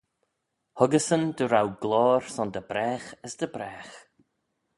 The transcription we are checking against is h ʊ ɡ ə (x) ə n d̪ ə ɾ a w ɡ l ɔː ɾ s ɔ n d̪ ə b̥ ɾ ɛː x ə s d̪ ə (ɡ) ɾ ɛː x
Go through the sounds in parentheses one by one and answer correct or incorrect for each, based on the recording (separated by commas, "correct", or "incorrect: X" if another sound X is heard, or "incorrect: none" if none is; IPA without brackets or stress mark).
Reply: incorrect: s, incorrect: b